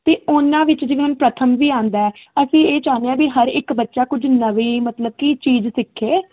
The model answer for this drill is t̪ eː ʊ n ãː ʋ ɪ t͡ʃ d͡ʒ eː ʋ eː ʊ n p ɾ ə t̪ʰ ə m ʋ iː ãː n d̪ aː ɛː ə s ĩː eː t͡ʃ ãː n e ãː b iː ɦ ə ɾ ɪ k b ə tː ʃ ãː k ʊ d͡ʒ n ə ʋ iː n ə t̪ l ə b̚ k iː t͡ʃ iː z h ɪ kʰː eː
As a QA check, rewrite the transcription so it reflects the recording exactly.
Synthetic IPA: t̪ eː ʊ n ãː ʋ ɪ t͡ʃ d͡ʒ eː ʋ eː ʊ n p ɾ ə t̪ʰ ə m ʋ iː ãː n d̪ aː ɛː ə s ĩː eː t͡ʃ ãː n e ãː b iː ɦ ə ɾ ɪ k b ə tː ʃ aː k ʊ d͡ʒ n ə ʋ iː m ə t̪ l ə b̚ k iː t͡ʃ iː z s ɪ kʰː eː